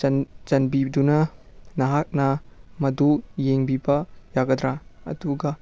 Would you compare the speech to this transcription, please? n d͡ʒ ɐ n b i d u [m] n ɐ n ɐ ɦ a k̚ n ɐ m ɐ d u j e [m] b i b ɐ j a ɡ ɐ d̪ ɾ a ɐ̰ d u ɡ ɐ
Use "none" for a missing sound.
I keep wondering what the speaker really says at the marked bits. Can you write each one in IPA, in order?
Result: none, ŋ

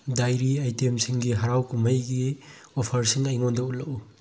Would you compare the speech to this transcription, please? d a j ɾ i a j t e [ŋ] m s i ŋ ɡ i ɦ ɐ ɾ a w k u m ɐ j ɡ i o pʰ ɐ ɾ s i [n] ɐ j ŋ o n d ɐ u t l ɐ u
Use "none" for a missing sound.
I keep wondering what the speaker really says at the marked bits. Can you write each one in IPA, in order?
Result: none, ŋ

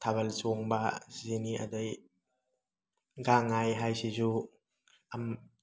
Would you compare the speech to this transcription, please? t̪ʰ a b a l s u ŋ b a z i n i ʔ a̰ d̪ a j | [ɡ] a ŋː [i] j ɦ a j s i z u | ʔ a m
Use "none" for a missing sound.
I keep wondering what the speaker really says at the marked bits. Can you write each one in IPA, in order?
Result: ɡ, a

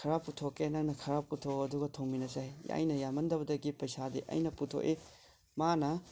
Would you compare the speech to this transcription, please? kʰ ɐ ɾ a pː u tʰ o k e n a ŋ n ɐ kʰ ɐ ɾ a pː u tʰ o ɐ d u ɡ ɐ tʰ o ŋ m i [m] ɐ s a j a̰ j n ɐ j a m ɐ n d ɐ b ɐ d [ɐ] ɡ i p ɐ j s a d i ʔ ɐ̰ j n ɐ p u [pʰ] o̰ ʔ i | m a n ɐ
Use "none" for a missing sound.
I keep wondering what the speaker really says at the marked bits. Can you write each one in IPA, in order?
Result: n, ɐ, tʰ

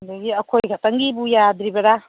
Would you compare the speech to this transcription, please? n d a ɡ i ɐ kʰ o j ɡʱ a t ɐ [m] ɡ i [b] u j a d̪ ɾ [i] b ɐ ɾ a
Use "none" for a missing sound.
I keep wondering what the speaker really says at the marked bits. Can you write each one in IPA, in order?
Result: ŋ, b, i

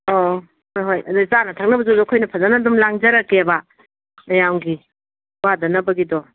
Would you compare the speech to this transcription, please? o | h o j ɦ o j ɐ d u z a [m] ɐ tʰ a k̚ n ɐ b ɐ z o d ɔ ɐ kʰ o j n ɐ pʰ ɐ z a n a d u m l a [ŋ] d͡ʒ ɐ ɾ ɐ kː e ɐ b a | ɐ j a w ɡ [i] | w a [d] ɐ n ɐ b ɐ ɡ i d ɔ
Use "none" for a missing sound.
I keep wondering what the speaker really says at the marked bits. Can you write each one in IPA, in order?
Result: n, ŋ, i, d

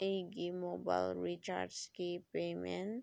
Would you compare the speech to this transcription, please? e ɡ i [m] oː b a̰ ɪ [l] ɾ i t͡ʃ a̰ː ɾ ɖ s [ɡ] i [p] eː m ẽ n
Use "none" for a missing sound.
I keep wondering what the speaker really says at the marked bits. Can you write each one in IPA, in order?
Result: m, l, k, p

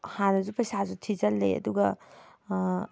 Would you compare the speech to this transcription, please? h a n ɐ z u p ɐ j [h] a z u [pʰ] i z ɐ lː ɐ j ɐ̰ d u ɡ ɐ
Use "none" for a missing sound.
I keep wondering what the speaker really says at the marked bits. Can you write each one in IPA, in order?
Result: s, tʰ

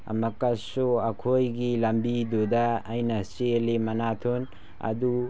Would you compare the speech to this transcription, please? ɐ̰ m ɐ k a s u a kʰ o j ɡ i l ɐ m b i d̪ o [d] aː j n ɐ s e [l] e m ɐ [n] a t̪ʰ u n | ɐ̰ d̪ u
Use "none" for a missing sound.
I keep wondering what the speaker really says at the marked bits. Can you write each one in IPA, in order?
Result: d, l, n

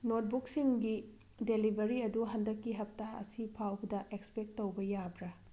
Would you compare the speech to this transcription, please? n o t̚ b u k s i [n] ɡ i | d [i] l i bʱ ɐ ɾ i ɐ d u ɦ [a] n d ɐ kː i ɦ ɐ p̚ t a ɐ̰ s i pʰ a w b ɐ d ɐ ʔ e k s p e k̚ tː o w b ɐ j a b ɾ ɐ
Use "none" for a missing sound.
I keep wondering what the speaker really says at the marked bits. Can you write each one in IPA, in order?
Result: ŋ, e, ɐ

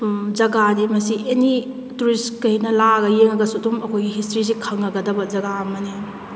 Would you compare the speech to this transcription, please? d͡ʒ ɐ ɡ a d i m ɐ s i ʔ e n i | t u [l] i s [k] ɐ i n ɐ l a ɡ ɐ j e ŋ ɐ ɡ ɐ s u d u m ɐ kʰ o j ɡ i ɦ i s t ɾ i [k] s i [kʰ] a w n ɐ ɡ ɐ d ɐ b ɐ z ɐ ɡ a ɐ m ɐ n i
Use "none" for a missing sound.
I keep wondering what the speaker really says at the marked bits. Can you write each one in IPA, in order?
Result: ɾ, k, none, kʰ

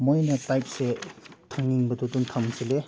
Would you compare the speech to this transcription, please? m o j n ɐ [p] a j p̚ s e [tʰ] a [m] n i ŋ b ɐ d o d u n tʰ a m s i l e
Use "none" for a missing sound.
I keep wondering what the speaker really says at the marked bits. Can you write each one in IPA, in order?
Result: t, tʰ, ŋ

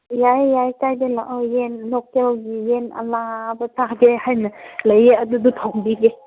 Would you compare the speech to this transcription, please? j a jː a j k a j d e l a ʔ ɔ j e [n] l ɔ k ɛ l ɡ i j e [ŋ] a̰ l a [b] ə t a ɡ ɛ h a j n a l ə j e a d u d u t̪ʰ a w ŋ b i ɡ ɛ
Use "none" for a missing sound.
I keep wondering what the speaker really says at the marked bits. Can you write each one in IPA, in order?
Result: n, n, b

